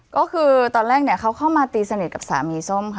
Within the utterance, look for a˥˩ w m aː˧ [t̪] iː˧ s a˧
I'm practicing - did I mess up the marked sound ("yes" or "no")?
no